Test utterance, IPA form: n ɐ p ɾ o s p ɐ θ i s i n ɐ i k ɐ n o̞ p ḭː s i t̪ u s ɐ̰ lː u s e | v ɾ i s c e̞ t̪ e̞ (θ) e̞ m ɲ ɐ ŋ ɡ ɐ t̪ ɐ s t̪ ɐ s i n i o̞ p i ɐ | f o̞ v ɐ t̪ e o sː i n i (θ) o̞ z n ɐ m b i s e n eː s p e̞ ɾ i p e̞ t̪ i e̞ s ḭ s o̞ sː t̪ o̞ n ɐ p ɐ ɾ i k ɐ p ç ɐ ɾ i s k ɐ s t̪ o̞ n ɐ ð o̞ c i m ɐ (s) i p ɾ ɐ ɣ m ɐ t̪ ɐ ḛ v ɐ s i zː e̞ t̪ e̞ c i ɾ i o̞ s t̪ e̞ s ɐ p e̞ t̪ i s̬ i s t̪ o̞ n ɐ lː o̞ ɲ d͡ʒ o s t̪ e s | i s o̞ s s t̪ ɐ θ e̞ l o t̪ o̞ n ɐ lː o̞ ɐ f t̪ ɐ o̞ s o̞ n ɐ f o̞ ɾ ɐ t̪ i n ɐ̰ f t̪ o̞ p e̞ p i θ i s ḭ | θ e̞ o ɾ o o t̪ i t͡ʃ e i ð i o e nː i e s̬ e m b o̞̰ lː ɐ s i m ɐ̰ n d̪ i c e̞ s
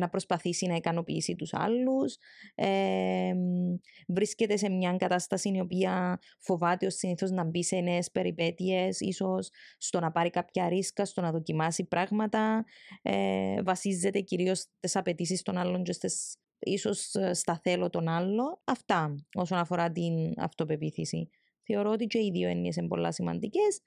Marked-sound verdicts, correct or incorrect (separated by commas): incorrect, correct, correct